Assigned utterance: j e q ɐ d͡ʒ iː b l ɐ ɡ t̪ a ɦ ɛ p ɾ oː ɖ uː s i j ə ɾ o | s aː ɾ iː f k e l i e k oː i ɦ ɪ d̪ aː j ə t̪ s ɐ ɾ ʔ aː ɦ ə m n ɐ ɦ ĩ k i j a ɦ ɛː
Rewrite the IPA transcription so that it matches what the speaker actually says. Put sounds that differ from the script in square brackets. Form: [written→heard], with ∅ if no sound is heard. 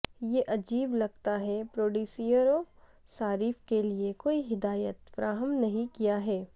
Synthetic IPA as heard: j e [q→ʔ] ɐ d͡ʒ iː b l ɐ ɡ t̪ a ɦ ɛ p ɾ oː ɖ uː s i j ə ɾ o | s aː ɾ iː f k e l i e k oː i ɦ ɪ d̪ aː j ə t̪ [s→f] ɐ ɾ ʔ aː ɦ ə m n ɐ ɦ ĩ k i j a ɦ ɛː